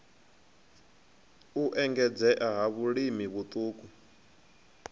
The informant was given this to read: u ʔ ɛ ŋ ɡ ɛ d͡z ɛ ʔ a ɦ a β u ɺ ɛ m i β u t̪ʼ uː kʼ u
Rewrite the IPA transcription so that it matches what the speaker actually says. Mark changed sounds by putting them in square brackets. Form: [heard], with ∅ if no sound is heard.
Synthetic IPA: u ʔ ɛ ŋ ɡ ɛ d͡z ɛ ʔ a ɦ a β u ɺ [i] m i β u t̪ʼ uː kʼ u